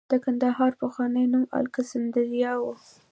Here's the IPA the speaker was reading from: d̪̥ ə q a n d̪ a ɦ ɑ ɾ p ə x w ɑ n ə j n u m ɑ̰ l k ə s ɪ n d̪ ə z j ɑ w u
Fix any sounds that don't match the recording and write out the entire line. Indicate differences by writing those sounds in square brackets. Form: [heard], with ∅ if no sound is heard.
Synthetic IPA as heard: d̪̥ ə [k] a n d̪ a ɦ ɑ ɾ p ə x w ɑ n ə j n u m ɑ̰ l k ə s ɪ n d̪ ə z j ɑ w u